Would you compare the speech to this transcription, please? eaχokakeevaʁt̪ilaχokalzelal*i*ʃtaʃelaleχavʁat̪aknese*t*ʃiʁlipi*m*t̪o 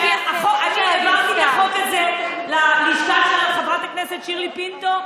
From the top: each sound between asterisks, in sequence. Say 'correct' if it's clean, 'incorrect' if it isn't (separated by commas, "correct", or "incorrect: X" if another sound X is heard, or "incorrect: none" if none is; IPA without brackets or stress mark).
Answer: correct, correct, incorrect: n